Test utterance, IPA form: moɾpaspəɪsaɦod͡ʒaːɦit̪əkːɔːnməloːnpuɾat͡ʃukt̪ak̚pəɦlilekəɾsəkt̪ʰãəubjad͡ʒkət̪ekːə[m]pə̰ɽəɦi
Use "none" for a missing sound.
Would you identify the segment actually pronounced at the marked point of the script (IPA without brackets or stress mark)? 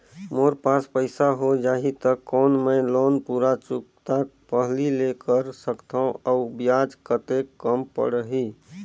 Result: m